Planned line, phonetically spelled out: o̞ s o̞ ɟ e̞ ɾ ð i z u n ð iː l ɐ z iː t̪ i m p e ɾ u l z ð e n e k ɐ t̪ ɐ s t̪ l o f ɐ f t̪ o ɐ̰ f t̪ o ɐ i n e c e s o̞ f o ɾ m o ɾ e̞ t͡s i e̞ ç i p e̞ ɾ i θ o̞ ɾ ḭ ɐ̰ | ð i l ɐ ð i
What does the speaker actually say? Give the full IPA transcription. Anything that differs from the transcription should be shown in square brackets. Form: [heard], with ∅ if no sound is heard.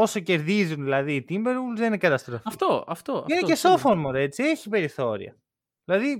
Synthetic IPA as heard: o̞ s o̞ [c] e̞ ɾ ð i z u n ð [i] l ɐ [ð] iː t̪ i m [b] e ɾ u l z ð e n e k ɐ t̪ ɐ s t̪ [ɾ] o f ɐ f t̪ o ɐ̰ f t̪ o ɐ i n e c e s o̞ f o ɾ m o ɾ e̞ t͡s i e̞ ç i p e̞ ɾ i θ o̞ ɾ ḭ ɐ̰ | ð i l ɐ ð i